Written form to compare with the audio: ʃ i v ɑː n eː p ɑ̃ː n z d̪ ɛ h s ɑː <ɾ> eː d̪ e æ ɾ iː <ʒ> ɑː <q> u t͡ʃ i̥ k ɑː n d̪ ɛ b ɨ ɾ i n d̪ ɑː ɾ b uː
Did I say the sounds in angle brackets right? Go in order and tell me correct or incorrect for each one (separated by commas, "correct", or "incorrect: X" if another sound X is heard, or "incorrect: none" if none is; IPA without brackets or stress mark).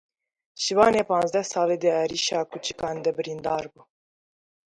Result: incorrect: l, incorrect: ʃ, incorrect: k